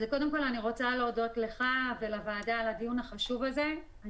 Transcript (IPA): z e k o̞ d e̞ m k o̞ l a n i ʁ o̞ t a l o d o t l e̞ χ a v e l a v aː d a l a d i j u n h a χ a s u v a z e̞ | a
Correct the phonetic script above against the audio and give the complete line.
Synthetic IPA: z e k o̞ d e̞ m k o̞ l a n i ʁ o̞ t͡s a l o d o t l e̞ χ a v e l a v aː d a l a d i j u n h a χ a ʃ u v a z e̞ | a